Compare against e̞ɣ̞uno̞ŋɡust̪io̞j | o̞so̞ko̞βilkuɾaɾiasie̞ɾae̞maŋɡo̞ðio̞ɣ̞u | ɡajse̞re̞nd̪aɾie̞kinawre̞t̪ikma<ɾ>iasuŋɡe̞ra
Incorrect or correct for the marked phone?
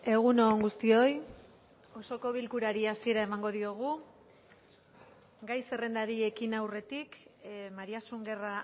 correct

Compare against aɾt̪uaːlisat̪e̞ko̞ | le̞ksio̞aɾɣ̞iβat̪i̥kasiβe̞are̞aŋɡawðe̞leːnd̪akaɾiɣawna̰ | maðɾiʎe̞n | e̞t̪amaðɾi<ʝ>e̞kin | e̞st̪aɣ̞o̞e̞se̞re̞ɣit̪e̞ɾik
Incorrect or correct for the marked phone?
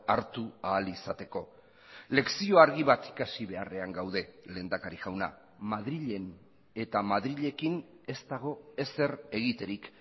incorrect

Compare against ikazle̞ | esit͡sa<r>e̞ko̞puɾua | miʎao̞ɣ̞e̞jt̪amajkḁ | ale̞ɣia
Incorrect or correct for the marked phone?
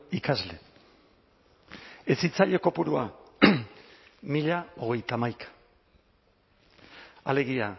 incorrect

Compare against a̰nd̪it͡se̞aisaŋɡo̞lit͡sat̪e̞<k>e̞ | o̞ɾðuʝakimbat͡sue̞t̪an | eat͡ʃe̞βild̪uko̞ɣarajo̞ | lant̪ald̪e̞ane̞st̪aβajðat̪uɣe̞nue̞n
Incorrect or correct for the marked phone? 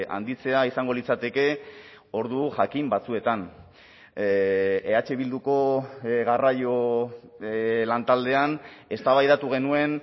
correct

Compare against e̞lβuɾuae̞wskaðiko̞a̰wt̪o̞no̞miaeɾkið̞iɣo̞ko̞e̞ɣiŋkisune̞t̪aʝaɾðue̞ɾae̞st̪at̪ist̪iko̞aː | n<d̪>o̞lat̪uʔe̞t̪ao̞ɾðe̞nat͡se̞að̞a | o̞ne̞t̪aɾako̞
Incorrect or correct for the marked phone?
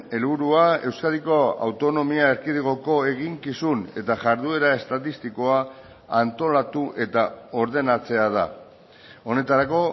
incorrect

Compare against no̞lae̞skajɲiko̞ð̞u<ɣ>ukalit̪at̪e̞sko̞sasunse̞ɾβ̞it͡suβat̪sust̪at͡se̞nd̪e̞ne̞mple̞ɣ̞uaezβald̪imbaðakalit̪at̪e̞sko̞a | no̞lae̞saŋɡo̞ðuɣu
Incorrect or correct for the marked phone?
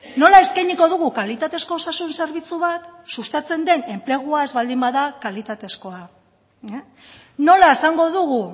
correct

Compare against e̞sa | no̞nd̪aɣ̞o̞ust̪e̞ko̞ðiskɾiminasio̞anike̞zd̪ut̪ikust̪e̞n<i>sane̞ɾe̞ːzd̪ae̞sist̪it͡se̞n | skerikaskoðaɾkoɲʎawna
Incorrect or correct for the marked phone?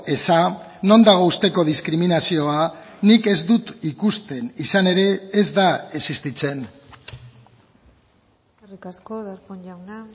correct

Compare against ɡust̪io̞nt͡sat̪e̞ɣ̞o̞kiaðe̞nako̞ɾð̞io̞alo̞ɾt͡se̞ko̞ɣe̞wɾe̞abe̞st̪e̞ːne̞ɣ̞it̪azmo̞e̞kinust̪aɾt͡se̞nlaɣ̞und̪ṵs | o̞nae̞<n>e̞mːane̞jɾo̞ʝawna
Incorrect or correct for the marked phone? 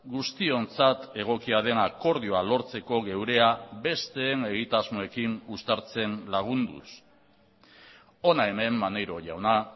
incorrect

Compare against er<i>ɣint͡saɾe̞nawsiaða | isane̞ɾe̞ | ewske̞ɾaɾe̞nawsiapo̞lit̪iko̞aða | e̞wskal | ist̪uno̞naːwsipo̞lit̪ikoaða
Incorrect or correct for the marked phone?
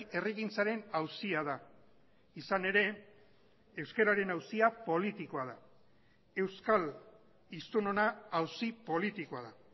correct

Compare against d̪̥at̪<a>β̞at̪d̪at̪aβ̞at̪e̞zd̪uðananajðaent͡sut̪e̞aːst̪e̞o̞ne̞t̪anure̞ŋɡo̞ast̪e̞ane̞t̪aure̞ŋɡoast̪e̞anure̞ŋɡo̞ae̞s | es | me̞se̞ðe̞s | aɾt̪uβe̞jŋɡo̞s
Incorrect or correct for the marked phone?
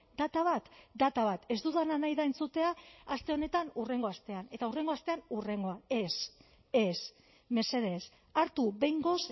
correct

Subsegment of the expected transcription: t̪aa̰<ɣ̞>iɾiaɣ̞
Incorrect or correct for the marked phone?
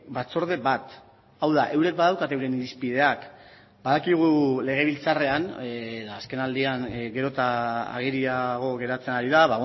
correct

